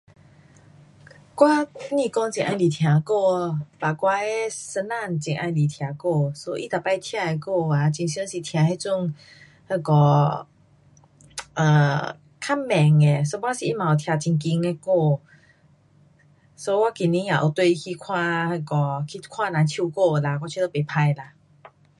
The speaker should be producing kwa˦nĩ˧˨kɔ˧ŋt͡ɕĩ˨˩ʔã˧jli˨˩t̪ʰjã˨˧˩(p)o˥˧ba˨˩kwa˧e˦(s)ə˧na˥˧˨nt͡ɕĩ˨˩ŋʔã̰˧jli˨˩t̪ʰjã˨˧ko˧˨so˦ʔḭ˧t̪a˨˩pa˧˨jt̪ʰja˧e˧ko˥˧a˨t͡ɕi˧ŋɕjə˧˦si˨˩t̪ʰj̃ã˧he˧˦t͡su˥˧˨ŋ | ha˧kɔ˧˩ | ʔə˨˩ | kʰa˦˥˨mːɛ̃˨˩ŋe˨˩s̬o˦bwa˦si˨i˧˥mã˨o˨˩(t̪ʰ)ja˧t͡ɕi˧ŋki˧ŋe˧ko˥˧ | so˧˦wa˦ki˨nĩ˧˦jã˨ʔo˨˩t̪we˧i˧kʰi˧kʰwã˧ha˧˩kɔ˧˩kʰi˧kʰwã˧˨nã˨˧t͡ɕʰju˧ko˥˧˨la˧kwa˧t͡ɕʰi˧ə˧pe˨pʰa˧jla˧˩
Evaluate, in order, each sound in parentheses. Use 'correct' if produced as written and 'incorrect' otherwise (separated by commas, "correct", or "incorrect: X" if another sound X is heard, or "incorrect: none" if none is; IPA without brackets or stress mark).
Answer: incorrect: k, correct, correct